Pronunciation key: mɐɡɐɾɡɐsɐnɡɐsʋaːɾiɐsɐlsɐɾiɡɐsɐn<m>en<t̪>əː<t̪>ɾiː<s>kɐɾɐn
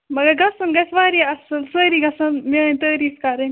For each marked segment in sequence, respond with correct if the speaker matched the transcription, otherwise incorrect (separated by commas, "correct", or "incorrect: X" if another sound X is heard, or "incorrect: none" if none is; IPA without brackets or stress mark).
correct, correct, incorrect: none, incorrect: f